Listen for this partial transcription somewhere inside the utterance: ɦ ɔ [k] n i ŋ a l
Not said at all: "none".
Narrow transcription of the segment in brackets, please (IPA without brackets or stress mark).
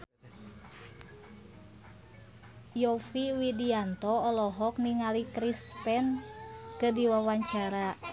k